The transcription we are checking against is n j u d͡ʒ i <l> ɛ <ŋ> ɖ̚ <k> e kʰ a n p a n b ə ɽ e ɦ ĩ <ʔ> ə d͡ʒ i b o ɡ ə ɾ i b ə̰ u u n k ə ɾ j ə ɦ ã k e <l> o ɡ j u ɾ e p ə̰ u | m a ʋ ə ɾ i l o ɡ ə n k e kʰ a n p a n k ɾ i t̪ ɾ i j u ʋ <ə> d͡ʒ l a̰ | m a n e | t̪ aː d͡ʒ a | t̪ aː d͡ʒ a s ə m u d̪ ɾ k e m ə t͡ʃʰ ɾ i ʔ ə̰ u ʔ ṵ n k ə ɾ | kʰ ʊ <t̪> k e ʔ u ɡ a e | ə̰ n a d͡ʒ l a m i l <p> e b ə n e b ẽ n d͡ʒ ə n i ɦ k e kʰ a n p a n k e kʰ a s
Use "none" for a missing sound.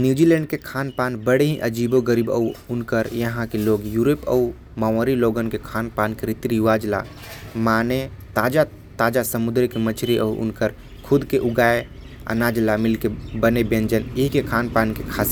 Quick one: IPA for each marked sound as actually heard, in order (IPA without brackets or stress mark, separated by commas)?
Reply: l, ɳ, k, ʔ, l, a, d̪, k